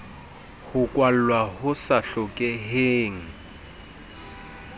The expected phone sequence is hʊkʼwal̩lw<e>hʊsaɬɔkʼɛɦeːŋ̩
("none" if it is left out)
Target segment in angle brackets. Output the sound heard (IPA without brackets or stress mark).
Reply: a